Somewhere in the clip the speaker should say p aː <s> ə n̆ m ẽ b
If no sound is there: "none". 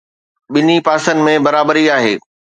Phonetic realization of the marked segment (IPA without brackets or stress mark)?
s